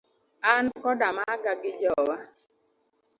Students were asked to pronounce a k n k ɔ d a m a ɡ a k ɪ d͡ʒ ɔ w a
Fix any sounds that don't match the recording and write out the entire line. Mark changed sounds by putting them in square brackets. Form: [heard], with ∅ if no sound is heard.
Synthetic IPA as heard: a [∅] n k ɔ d a m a ɡ a [ɡ] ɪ d͡ʒ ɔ w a